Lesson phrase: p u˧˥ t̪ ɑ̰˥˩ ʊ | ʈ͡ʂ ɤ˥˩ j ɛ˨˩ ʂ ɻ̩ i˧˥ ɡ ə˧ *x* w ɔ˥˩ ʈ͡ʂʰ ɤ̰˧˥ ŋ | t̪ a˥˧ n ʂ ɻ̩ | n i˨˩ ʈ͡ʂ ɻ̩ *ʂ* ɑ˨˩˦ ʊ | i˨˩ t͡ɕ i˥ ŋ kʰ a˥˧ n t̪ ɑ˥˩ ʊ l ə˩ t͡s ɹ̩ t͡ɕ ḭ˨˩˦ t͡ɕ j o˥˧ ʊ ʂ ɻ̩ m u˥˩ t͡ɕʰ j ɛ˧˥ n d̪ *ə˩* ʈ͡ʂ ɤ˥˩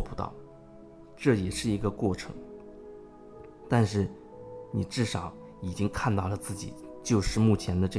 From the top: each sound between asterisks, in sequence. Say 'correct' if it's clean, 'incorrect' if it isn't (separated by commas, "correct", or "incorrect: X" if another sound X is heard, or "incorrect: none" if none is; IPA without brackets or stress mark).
incorrect: k, correct, incorrect: ə˧